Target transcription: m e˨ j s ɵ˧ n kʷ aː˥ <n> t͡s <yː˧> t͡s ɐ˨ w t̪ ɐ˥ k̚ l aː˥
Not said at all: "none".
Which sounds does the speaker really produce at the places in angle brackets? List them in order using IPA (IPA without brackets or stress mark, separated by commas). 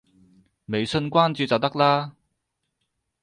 n, yː˧